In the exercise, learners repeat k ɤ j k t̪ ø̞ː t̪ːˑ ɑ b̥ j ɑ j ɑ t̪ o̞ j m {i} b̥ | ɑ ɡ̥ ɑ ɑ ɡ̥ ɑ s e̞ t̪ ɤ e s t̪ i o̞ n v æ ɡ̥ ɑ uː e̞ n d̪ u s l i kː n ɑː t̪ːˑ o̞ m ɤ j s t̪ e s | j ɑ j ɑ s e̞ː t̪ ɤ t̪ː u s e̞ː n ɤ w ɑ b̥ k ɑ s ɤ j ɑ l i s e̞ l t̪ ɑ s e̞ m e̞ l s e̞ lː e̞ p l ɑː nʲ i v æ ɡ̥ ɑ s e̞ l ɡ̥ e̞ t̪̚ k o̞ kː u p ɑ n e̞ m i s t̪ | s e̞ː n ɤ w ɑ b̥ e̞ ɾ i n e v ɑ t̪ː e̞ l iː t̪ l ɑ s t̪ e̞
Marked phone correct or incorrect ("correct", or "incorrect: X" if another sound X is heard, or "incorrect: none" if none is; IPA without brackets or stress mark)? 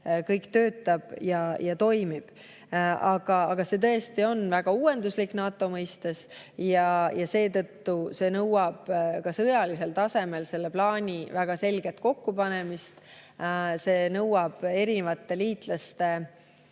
correct